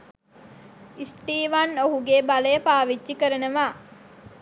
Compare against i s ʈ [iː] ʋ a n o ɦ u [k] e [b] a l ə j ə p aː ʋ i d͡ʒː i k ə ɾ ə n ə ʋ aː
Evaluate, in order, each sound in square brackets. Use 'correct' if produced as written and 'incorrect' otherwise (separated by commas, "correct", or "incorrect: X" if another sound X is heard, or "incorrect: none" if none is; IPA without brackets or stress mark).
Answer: correct, incorrect: ɡ, correct